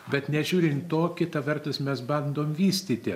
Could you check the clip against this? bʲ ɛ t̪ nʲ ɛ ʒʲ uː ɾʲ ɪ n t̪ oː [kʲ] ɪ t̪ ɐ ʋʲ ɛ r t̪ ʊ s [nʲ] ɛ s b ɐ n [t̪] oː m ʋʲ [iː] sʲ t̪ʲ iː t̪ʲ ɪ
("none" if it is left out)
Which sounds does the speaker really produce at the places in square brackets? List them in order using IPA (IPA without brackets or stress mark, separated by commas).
kʲ, mʲ, d̪, iː